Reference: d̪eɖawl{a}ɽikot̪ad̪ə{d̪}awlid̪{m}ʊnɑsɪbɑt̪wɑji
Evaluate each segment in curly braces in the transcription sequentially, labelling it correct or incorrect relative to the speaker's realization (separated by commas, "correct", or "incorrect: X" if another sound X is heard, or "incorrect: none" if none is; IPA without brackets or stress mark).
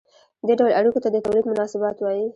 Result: correct, incorrect: t̪, correct